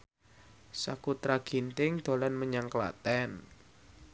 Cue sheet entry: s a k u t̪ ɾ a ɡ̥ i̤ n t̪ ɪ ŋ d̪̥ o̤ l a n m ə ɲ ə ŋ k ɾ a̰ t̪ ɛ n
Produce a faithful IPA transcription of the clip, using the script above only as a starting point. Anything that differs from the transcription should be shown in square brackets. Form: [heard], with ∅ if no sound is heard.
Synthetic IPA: s a k u t̪ ɾ a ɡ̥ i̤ n t̪ ɪ ŋ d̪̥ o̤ l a n m ə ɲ [a] ŋ k [l] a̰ t̪ ɛ n